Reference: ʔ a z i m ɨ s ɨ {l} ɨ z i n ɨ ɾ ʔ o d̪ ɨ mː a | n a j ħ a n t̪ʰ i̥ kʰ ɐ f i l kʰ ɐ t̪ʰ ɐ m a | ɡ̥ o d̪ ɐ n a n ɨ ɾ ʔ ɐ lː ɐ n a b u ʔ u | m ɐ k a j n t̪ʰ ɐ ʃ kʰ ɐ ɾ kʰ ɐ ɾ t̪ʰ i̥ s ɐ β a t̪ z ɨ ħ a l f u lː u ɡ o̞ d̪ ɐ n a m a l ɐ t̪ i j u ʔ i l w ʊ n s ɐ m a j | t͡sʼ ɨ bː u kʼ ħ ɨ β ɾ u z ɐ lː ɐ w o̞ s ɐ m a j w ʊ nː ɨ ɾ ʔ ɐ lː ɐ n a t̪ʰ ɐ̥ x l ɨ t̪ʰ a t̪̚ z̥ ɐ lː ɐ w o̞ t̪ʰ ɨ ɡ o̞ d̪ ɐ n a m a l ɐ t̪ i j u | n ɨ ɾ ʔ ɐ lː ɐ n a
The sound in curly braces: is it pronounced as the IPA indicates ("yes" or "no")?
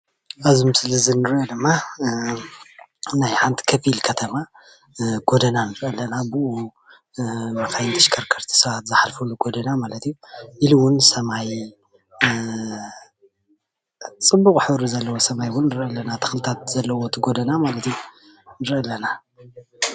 yes